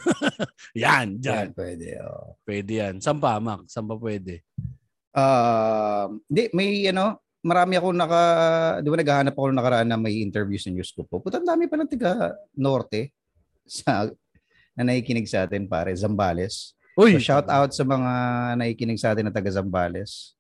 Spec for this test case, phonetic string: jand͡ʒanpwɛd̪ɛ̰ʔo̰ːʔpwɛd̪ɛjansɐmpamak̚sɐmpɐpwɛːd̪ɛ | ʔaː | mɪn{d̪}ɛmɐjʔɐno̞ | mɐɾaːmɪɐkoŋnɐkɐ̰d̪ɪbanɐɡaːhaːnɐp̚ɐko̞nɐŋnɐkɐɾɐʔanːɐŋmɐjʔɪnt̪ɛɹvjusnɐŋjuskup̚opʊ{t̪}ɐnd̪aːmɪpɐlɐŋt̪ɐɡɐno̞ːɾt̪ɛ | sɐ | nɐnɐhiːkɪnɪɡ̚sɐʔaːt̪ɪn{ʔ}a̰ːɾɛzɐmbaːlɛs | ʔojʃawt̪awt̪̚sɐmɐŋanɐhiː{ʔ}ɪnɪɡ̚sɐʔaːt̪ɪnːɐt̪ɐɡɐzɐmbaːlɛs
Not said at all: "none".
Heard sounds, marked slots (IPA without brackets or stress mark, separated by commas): d̪, t̪, p, k